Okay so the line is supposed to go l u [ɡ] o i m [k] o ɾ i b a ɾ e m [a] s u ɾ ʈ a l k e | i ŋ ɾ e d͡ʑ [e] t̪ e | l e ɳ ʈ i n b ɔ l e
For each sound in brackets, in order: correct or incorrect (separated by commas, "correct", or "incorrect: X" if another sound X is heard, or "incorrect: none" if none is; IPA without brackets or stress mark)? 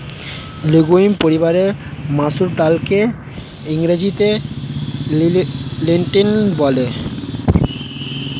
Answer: correct, incorrect: p, correct, incorrect: i